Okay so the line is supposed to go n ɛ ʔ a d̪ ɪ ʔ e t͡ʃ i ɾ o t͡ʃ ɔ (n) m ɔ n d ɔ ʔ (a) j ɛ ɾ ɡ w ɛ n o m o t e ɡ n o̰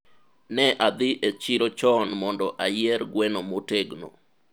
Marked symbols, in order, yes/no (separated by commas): yes, yes